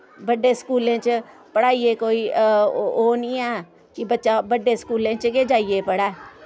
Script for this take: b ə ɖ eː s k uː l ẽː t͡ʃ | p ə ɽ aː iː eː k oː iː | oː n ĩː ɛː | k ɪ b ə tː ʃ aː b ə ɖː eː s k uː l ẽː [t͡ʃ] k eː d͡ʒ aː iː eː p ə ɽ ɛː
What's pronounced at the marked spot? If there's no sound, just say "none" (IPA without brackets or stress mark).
t͡ʃ